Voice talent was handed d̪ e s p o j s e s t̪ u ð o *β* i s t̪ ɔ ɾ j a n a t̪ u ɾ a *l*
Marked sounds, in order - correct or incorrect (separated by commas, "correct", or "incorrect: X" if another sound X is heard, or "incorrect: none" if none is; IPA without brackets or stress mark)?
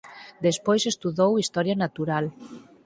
incorrect: w, correct